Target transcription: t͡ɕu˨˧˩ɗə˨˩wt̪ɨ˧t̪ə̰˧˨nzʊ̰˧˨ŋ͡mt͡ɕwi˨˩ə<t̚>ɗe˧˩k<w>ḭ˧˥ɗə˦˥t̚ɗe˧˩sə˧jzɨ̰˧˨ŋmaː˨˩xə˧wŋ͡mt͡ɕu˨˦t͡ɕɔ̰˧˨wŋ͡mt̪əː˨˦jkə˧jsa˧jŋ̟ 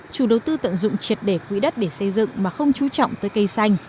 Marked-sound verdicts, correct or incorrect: correct, correct

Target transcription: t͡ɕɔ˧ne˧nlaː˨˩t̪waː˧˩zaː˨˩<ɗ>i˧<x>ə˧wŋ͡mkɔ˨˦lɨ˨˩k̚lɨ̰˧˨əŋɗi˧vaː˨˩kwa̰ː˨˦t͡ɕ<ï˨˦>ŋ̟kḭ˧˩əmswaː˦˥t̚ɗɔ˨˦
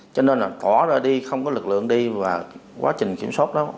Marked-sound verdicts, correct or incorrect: correct, correct, incorrect: ï˨˩

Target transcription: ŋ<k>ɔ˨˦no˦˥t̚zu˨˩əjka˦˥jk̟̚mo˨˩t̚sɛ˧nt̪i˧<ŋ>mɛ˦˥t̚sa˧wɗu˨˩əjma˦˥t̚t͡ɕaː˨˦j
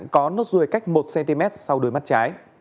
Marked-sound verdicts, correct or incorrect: correct, incorrect: none

